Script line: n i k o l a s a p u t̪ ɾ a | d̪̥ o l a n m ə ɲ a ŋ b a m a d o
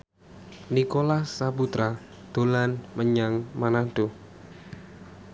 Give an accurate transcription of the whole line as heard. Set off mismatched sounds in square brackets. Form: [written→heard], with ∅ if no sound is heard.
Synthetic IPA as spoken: n i k o l a s a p u t̪ ɾ a | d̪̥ o l a n m ə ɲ a ŋ [b→m] a [m→n] a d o